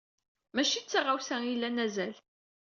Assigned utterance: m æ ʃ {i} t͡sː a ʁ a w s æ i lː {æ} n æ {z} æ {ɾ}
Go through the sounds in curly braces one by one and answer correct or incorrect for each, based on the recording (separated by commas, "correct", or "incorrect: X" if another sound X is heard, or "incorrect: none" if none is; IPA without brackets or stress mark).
correct, correct, correct, incorrect: l